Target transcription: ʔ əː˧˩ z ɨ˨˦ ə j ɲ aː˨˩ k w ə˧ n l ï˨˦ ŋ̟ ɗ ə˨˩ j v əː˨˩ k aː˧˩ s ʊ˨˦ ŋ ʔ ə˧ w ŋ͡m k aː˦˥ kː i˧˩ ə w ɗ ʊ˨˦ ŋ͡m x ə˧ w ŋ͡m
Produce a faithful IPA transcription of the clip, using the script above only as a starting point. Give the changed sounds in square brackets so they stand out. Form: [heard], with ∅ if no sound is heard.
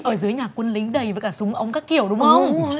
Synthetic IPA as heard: ʔ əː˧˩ z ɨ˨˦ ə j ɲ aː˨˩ k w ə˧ n l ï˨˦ ŋ̟ ɗ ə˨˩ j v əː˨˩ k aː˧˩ s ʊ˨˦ [ŋ͡m] ʔ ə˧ w ŋ͡m k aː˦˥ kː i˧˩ ə w ɗ ʊ˨˦ ŋ͡m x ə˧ w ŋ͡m